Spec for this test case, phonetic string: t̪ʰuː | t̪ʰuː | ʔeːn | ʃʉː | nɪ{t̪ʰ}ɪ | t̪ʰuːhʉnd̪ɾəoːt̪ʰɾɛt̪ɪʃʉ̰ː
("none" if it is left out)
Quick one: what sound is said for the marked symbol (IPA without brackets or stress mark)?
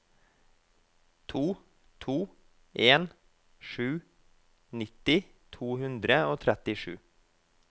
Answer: t̪